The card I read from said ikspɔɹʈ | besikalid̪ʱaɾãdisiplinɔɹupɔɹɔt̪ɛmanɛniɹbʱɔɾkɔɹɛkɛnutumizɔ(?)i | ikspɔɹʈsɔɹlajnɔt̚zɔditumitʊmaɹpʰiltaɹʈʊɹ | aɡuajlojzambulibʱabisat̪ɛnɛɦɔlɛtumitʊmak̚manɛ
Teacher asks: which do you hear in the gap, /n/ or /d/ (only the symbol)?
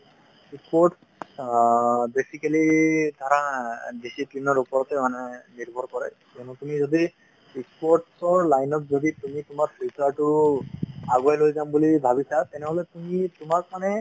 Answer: d